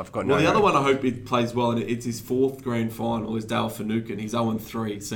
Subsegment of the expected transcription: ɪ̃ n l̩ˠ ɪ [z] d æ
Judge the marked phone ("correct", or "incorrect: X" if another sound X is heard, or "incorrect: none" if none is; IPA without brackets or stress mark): correct